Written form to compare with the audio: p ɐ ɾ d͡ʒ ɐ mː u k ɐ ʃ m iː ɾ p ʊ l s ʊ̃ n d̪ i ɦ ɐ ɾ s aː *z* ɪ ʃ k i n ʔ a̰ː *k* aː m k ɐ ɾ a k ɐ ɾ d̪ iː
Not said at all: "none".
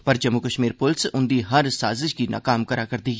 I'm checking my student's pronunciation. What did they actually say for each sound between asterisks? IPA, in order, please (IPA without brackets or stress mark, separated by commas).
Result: z, k